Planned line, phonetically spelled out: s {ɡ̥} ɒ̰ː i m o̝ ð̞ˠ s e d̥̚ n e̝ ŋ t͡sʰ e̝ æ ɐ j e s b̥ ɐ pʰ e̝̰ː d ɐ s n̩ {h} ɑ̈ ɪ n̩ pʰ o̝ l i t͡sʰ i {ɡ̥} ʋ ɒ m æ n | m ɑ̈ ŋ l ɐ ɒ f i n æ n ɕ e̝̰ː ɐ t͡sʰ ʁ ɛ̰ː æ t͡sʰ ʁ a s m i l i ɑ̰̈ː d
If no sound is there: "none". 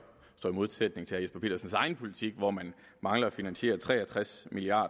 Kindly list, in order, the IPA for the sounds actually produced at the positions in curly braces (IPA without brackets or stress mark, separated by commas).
d̥, s, ɡ̥